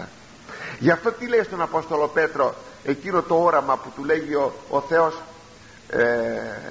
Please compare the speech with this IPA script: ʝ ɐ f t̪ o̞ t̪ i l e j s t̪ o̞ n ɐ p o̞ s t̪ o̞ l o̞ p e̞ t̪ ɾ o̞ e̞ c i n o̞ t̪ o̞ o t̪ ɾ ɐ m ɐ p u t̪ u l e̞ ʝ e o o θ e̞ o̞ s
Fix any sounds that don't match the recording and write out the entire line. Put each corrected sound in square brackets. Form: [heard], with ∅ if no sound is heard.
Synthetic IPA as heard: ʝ ɐ f t̪ o̞ t̪ i l e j s t̪ o̞ n ɐ p o̞ s t̪ o̞ l o̞ p e̞ t̪ ɾ o̞ e̞ c i n o̞ t̪ o̞ o [∅] ɾ ɐ m ɐ p u t̪ u l e̞ ʝ [i] o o θ e̞ o̞ s